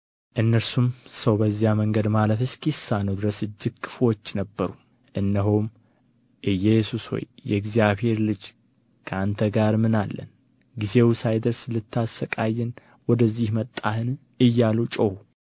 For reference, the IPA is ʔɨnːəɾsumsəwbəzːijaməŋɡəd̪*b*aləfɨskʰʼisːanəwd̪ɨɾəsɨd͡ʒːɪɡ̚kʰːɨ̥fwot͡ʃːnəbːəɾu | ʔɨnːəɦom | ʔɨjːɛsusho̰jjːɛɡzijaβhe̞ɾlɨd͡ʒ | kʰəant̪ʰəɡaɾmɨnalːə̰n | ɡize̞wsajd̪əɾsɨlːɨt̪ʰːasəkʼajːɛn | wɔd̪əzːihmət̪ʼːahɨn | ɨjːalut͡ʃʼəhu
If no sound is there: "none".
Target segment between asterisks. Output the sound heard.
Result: m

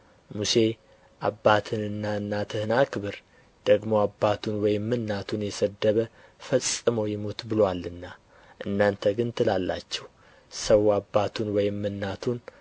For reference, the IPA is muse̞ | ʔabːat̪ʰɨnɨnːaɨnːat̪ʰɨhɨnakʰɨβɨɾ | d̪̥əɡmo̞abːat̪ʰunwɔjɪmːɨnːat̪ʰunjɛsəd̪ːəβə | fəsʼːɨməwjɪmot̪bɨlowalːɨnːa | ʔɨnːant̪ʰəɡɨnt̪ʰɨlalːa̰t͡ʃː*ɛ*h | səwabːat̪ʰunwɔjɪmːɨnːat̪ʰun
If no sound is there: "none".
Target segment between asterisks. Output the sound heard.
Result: ɛ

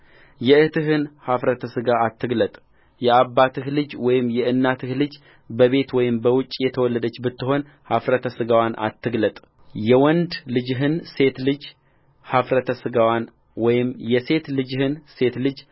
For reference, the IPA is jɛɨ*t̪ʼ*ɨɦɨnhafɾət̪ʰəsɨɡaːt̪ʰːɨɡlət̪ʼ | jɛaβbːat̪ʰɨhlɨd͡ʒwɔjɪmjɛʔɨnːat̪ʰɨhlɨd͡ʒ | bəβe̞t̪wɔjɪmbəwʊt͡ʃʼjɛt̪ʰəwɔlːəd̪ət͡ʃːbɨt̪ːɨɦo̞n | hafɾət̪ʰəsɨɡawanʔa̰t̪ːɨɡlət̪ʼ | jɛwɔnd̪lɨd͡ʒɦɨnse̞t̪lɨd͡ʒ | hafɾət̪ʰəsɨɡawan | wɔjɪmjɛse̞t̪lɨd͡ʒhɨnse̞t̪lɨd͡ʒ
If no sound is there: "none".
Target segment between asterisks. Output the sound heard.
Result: t̪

